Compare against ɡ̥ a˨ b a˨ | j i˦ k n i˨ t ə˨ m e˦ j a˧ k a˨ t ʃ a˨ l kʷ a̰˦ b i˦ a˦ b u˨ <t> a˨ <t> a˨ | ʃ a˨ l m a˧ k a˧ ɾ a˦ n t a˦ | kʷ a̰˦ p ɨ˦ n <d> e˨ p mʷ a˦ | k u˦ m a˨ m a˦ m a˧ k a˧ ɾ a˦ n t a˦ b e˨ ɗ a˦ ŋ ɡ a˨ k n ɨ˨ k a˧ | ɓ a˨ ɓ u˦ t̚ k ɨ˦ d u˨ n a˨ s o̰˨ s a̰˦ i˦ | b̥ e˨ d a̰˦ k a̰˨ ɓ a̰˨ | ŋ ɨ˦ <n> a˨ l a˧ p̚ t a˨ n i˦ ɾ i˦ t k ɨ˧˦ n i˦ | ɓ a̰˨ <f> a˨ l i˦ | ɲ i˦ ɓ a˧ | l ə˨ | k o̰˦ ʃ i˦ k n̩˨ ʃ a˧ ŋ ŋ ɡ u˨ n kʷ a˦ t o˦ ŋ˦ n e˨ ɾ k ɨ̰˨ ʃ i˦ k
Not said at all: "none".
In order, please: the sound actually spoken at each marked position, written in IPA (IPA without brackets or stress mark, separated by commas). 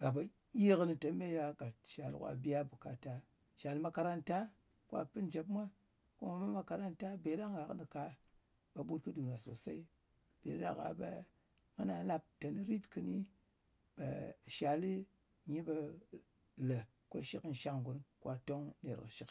k, t, d͡ʒ, n, ʃ